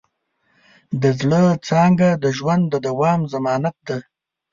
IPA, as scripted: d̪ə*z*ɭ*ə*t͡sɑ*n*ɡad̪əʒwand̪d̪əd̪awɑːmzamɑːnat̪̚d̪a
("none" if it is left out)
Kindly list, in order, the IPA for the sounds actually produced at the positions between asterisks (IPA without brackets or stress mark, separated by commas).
z, ə, ŋ